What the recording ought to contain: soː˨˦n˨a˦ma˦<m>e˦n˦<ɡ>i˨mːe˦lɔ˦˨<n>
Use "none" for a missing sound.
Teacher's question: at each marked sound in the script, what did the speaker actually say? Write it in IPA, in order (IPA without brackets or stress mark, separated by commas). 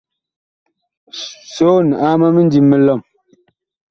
m, d, m